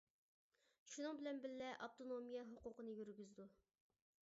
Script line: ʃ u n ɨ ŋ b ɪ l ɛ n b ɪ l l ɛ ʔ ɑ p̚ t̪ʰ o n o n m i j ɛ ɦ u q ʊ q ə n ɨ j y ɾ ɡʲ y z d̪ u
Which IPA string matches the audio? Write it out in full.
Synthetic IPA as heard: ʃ u n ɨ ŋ b ɪ l ɛ n b ɪ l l ɛ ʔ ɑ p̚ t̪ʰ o n o m i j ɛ ɦ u q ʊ q ə n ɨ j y ɾ ɡʲ y z d̪ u